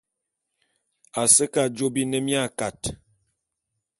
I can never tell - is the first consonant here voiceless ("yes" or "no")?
yes